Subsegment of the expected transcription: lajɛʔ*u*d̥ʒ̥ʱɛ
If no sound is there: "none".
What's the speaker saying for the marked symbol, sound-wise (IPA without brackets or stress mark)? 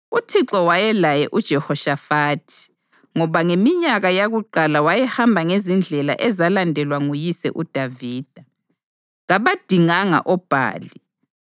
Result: u